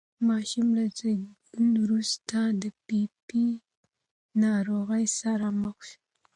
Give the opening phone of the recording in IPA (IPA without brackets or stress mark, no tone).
m